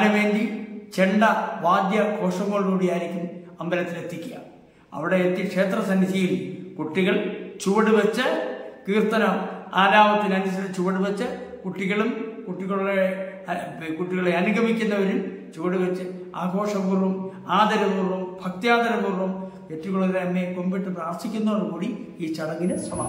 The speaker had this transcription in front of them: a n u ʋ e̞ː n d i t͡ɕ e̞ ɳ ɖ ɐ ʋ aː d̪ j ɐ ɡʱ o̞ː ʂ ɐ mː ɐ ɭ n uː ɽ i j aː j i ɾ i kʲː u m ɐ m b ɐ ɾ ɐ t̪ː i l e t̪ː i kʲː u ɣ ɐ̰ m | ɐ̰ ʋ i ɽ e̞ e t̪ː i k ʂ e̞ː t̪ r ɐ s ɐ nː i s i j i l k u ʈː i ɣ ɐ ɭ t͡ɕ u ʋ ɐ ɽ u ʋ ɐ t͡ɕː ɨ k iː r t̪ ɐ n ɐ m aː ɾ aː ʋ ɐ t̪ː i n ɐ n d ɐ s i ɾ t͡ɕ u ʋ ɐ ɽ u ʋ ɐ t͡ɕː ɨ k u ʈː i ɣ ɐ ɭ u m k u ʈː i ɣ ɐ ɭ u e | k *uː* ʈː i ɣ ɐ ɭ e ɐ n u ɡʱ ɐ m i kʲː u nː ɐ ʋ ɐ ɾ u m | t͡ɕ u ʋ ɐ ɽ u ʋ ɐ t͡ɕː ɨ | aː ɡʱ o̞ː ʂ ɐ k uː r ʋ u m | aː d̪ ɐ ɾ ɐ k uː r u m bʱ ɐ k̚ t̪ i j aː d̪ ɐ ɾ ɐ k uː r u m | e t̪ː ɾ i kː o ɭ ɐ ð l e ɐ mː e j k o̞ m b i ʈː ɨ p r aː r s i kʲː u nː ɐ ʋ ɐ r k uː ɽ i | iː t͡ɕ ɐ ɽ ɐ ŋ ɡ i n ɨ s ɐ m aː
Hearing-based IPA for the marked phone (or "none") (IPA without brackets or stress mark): u